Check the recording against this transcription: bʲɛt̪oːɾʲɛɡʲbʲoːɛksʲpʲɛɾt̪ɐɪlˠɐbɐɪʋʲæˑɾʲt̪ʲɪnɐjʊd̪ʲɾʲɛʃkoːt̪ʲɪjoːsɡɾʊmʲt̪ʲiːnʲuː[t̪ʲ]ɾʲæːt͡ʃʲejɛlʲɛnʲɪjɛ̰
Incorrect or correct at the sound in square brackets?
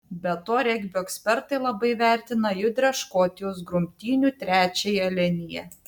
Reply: correct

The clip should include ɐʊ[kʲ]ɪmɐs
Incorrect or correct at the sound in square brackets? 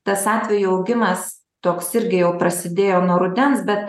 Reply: incorrect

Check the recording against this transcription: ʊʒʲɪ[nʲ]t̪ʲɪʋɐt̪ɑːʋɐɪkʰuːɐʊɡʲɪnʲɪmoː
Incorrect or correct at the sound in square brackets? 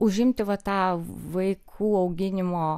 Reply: incorrect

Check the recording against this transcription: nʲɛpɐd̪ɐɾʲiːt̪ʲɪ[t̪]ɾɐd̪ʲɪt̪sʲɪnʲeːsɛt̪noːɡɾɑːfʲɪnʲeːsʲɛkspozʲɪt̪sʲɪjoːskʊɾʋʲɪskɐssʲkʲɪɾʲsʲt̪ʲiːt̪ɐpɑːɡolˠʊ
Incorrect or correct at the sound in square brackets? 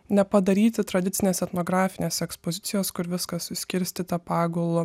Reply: correct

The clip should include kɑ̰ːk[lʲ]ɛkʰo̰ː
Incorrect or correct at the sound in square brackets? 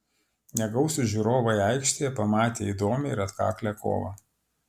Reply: correct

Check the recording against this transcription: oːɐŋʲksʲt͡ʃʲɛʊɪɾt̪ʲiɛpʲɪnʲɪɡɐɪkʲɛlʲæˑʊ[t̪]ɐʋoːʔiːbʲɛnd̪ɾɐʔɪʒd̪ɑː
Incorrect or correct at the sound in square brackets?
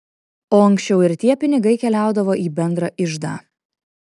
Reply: incorrect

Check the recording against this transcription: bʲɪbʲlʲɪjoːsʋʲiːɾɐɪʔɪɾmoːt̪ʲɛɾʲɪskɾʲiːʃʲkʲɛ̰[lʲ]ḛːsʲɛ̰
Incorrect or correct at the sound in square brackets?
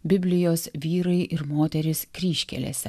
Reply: correct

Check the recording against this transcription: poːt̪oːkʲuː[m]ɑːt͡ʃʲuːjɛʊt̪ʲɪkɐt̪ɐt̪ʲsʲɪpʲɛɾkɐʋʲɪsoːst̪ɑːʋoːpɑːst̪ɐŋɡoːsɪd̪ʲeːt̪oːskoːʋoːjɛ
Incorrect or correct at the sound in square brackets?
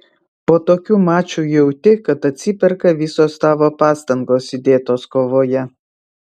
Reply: correct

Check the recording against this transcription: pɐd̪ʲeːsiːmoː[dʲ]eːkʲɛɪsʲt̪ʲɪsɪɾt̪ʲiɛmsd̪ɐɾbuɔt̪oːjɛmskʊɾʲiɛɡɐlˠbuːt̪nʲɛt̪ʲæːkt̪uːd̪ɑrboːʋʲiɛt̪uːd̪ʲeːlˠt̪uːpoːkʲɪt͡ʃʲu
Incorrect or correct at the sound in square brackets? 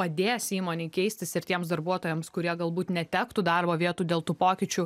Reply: incorrect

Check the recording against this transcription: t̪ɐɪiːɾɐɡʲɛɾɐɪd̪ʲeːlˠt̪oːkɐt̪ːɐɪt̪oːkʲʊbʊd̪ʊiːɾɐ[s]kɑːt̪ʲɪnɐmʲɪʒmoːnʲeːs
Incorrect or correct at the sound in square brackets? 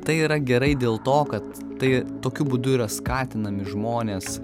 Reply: correct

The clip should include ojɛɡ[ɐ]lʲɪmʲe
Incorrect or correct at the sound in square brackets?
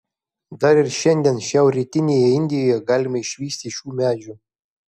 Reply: incorrect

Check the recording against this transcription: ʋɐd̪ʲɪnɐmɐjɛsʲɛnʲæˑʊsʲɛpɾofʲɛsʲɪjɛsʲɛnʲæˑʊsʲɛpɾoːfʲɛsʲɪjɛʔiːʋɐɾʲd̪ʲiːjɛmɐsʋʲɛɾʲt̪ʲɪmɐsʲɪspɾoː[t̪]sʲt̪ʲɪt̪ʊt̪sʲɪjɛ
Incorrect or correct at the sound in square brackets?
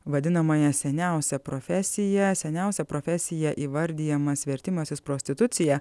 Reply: incorrect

